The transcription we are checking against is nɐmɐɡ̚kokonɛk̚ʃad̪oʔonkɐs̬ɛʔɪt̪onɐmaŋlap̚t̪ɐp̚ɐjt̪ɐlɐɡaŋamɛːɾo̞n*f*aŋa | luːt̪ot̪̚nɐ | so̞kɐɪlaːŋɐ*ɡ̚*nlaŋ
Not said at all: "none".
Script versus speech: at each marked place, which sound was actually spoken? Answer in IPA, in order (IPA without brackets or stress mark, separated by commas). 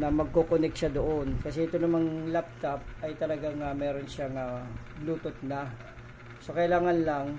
ʃ, none